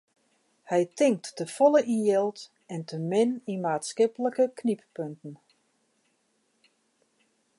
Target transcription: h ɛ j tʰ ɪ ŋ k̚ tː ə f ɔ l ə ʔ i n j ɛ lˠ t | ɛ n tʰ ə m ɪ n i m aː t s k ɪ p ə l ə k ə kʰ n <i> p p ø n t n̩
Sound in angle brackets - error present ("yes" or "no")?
no